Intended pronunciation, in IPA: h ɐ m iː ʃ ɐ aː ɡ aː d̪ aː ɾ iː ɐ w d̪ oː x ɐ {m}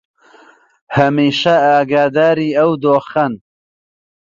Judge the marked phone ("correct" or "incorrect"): incorrect